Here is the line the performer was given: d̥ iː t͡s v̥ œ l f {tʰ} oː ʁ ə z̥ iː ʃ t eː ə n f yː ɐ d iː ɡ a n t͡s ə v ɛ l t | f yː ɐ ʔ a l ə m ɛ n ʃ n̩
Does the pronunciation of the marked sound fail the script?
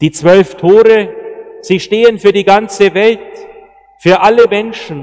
no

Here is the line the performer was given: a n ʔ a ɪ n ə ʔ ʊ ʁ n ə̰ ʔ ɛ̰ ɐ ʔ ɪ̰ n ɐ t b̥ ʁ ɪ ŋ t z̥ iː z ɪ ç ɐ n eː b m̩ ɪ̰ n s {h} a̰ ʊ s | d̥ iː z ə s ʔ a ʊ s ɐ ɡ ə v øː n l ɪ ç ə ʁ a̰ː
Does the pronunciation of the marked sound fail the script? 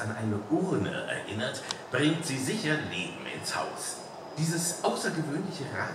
no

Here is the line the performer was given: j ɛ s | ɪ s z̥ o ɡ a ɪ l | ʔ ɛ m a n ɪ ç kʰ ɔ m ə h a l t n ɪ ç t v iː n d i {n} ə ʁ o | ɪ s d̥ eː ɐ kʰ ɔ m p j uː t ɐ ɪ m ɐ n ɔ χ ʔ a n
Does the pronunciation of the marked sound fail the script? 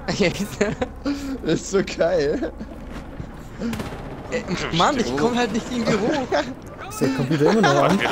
yes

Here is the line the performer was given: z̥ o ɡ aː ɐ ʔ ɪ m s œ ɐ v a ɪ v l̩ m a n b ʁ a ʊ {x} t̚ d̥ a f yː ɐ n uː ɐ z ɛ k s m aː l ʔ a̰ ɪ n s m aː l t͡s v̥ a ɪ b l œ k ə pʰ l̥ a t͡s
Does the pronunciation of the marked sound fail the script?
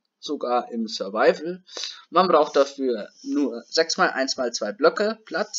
no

